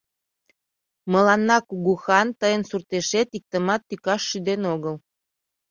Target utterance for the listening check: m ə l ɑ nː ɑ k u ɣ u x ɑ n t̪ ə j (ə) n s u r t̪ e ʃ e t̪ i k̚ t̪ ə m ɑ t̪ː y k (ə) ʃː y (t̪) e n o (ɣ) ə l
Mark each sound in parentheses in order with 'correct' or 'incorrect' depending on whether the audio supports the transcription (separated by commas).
correct, incorrect, incorrect, correct